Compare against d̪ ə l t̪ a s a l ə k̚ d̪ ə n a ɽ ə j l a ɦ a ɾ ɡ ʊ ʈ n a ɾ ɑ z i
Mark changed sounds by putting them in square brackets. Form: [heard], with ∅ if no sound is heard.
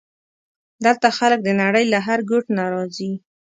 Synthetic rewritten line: d̪ ə l t̪ a [x] a l ə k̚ d̪ ə n a ɽ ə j l a ɦ a ɾ ɡ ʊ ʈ n a ɾ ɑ z i